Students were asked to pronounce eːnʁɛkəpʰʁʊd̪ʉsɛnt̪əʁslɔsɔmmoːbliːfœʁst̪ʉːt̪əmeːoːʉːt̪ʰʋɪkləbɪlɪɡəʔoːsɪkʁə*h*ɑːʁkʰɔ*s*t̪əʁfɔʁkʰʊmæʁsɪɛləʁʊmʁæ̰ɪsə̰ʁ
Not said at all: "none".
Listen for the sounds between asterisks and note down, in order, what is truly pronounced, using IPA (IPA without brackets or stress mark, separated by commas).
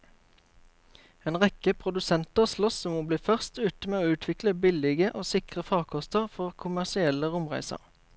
f, s